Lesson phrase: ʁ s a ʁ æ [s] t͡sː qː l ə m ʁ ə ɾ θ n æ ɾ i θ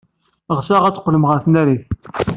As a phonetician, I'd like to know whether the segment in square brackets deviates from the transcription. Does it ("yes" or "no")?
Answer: yes